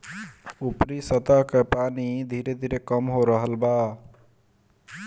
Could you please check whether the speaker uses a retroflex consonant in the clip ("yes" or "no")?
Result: no